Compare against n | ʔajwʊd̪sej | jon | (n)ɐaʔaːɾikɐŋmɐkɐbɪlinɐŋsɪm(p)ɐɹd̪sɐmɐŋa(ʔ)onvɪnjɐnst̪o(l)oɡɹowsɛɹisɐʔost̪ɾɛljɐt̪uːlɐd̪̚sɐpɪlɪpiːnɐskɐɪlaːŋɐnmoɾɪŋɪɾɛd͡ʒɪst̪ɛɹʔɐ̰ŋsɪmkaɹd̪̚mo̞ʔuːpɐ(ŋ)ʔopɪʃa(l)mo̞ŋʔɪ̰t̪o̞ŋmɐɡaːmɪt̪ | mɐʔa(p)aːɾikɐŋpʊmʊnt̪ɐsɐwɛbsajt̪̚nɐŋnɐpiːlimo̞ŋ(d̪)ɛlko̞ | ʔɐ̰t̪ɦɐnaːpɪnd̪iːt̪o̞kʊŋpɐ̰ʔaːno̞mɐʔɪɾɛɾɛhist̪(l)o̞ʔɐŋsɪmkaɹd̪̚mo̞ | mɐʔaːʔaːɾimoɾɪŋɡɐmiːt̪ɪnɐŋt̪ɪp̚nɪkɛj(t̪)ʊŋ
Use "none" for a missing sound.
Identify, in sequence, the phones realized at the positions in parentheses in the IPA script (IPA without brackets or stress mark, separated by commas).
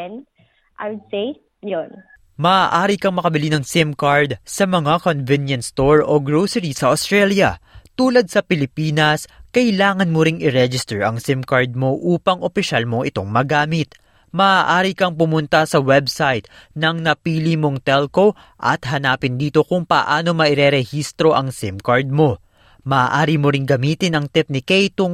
m, k, k, ɹ, ŋ, l, ʔ, t̪, ɾ, t̪